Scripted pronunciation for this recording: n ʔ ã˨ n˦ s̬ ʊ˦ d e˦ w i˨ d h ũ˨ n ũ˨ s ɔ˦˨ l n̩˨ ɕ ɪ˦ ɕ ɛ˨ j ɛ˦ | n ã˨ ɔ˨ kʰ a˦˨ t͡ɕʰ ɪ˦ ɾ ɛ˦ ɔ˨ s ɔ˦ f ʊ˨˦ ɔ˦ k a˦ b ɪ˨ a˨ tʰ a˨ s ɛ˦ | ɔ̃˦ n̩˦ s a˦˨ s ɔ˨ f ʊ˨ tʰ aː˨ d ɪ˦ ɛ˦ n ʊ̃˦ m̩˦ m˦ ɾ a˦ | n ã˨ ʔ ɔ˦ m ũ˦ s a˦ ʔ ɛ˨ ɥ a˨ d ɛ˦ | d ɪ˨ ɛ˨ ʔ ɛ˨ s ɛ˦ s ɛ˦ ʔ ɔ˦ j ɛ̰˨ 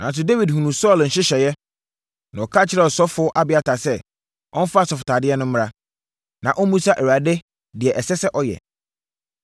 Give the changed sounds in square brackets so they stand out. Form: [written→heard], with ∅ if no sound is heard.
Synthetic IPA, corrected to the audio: n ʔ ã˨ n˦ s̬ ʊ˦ d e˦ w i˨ d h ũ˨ n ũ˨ s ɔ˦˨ l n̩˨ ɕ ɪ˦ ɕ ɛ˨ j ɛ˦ | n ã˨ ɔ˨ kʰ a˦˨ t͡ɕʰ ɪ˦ ɾ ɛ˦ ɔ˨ s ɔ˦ f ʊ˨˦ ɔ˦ [k→ʔ] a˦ b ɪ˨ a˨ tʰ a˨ s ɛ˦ | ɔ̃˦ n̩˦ [s→f] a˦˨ s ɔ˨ f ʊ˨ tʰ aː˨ d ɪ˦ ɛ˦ n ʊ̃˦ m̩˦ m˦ ɾ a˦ | n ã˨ ʔ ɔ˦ m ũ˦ s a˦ ʔ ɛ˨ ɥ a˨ d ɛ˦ | d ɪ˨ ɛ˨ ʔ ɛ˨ s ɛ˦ s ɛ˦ ʔ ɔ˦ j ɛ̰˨